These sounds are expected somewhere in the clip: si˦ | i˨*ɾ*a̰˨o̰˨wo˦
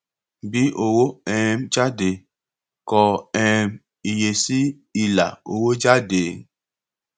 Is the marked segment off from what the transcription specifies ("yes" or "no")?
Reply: yes